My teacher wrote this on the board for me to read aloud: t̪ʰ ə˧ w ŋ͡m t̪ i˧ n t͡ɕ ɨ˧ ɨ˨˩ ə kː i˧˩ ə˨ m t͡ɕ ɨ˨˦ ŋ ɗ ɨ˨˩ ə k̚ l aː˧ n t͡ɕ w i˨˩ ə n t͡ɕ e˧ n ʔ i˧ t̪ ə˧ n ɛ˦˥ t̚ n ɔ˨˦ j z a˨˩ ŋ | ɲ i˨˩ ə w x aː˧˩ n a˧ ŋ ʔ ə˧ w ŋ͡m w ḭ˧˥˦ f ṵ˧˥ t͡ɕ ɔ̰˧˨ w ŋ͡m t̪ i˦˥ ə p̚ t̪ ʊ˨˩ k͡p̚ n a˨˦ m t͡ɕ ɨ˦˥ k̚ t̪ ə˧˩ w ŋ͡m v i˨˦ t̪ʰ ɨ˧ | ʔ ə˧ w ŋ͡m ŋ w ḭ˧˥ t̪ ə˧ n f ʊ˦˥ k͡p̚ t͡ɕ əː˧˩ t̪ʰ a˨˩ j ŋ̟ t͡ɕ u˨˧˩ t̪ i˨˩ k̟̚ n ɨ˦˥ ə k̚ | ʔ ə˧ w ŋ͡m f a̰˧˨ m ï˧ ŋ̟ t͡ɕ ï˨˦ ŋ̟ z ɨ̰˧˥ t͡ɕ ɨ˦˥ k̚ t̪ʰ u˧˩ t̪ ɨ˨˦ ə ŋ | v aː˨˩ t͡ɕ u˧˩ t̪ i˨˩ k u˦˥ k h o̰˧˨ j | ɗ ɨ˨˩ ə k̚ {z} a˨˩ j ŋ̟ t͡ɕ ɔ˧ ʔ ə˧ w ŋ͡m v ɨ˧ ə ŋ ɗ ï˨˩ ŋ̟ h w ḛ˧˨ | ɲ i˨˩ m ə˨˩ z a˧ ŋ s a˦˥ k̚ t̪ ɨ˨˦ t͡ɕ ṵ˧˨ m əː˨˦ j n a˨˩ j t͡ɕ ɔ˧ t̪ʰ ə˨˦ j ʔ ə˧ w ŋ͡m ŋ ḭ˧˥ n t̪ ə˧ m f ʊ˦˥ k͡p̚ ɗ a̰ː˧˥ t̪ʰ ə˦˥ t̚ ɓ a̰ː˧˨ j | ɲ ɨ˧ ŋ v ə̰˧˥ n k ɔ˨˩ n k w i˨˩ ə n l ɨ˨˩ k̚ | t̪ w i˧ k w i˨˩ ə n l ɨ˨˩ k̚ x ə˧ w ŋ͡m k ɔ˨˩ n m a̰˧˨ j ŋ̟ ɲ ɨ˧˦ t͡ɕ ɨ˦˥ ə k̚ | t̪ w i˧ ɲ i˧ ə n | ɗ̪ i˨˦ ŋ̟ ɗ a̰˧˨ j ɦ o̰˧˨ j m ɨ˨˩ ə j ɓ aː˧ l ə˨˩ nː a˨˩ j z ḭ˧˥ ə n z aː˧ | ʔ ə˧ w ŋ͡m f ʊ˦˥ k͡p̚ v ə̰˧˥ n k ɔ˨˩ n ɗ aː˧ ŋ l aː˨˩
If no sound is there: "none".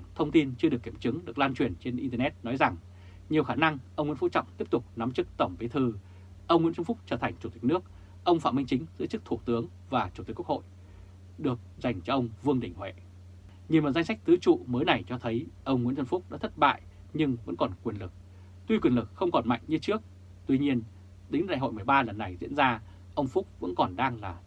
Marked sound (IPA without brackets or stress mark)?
z